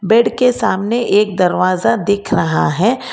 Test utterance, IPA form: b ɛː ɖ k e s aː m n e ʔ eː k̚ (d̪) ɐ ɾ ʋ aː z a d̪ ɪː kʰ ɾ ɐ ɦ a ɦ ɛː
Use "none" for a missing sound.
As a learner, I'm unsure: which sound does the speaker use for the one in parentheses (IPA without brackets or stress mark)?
d̪